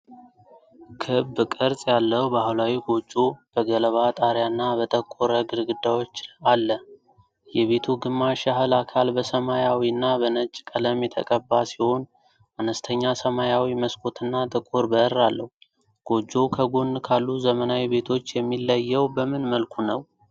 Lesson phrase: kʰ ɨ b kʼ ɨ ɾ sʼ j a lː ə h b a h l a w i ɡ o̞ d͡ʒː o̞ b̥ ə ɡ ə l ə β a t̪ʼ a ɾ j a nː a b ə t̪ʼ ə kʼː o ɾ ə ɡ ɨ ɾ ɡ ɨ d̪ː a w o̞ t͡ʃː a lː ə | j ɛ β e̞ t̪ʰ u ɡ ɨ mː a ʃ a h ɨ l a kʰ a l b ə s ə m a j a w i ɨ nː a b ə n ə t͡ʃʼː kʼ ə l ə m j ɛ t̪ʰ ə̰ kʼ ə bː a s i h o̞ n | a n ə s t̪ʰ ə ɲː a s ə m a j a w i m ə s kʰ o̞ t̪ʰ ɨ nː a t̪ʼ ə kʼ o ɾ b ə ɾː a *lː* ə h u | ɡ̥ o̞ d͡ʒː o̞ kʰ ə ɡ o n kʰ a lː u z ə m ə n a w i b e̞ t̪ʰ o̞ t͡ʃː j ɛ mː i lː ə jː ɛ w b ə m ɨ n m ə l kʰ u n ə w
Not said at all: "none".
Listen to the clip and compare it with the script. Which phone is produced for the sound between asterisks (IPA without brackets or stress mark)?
lː